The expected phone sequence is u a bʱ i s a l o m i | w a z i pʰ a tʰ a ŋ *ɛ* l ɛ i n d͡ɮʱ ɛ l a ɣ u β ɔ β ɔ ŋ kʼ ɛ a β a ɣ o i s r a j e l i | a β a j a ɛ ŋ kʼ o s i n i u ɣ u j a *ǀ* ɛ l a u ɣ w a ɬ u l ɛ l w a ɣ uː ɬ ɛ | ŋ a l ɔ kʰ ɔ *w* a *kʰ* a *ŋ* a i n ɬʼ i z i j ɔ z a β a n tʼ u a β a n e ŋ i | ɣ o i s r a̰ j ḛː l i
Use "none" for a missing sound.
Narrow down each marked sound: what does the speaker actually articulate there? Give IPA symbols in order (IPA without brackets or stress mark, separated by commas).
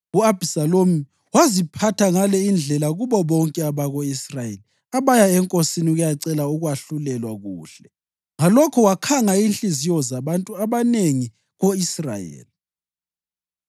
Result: a, ǀ, w, kʰ, ŋ